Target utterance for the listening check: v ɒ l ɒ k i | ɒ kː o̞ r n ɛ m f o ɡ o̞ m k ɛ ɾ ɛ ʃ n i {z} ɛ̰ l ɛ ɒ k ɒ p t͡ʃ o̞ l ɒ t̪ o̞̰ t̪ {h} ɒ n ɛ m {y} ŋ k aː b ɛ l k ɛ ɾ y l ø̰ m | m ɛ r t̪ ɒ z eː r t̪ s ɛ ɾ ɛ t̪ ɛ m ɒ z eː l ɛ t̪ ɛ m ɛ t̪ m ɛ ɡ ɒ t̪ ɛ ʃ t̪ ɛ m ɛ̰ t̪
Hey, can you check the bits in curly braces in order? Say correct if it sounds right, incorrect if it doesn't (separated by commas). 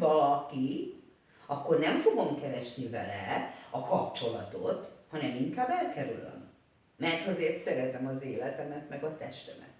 incorrect, correct, incorrect